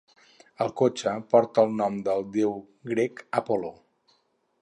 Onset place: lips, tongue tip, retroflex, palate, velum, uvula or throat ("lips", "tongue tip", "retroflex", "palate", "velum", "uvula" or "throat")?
tongue tip